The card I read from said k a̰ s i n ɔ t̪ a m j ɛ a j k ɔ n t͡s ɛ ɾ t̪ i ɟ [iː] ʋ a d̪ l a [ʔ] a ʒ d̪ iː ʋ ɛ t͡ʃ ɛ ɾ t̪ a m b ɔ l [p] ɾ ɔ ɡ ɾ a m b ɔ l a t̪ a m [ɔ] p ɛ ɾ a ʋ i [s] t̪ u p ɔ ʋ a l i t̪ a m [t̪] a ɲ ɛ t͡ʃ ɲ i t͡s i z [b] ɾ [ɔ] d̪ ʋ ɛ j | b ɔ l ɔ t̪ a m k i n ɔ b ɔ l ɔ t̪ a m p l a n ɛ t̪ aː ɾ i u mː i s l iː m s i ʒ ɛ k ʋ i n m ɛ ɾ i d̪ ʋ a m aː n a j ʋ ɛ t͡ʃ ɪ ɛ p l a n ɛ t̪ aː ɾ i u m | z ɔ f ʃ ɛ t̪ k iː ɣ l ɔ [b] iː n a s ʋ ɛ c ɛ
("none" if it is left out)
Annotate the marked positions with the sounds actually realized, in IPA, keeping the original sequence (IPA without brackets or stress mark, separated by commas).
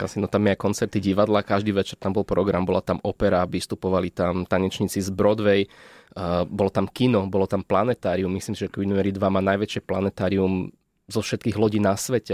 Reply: i, k, p, ɔ, s, t̪, b, ɔ, ɟ